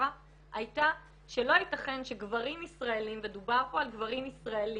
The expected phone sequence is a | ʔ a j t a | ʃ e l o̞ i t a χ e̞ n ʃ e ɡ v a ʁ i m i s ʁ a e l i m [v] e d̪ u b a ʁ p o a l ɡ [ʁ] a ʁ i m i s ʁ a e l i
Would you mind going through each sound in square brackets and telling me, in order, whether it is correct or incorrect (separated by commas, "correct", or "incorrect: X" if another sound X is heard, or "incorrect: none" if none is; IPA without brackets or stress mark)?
correct, incorrect: v